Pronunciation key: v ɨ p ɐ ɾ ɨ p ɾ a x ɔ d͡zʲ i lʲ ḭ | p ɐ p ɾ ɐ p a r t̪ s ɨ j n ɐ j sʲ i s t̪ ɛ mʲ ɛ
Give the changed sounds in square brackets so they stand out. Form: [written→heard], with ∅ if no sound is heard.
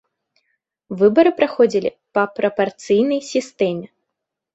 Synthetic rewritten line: v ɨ [p→b] ɐ ɾ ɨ p ɾ a x ɔ d͡zʲ i lʲ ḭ | p ɐ p ɾ ɐ p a r t̪ s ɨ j n ɐ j sʲ i s t̪ ɛ mʲ ɛ